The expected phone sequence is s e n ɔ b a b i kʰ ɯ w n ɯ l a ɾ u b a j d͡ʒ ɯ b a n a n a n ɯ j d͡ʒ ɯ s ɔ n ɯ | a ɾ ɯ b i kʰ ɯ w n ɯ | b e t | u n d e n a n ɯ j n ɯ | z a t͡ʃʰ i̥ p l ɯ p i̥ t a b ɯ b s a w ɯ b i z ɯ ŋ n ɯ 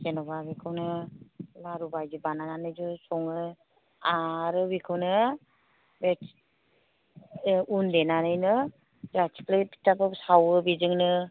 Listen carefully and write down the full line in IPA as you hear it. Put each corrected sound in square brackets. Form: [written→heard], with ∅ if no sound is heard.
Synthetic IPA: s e n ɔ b a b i kʰ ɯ w n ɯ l a ɾ u b a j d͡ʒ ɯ b a n a n a n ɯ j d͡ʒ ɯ s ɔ [n→ŋ] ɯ | a ɾ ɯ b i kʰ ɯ w n ɯ | b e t | u n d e n a n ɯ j n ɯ | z a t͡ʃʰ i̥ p l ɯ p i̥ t a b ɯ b s a w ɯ b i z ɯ ŋ n ɯ